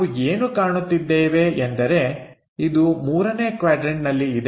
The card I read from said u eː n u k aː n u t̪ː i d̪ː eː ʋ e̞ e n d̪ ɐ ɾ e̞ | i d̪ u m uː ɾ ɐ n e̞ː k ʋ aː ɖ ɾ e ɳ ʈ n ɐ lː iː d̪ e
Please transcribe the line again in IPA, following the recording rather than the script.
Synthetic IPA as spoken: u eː n u k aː ɳ u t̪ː i d̪ː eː ʋ e̞ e n d̪ ɐ ɾ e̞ | i d̪ u m uː ɾ ɐ n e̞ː k ʋ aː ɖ ɾ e ɳ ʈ n ɐ lː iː d̪ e